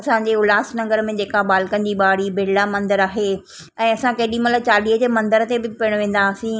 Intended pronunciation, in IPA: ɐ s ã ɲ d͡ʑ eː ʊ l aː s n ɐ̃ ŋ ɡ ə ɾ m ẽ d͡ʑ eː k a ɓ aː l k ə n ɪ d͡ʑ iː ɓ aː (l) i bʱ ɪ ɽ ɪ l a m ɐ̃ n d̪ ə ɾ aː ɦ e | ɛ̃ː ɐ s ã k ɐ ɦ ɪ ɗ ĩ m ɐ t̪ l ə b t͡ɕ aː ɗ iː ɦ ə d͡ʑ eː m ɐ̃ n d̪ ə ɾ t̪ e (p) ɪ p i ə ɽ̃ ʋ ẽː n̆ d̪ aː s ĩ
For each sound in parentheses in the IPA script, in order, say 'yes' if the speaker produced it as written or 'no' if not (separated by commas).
no, no